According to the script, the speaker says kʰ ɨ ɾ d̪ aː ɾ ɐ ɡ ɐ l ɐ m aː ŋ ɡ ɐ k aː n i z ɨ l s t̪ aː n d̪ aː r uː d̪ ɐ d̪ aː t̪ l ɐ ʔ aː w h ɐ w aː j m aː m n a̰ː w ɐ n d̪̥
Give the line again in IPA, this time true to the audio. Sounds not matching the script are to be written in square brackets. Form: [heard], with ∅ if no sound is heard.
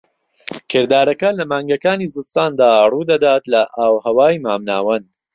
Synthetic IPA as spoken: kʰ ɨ ɾ d̪ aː ɾ ɐ [k] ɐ l ɐ m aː ŋ ɡ ɐ k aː n i z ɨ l s t̪ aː n d̪ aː r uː d̪ ɐ d̪ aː t̪ l ɐ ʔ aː w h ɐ w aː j m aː m n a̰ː w ɐ n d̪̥